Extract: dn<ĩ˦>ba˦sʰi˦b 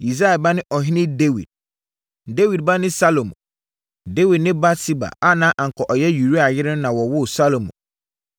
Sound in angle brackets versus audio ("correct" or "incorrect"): incorrect